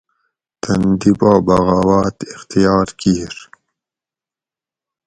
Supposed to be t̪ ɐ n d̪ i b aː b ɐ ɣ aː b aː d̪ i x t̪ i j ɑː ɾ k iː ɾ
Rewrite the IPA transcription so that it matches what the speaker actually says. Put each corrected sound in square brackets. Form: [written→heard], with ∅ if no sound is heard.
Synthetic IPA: t̪ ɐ n d̪ i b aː b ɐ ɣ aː [b→w] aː [d̪→t̪] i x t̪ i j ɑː ɾ k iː ɾ